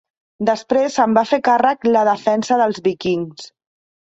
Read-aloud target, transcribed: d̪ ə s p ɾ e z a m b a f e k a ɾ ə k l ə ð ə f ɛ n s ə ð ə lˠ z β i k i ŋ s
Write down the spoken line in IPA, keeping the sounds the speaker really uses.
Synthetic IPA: d̪ ə s p ɾ e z ə m b a f e k a r ə k l ə ð ə f ɛ n s ə ð ə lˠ z β i k i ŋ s